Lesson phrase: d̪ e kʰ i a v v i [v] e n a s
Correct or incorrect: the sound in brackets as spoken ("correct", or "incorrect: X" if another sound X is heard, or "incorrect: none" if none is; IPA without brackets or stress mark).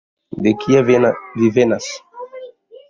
correct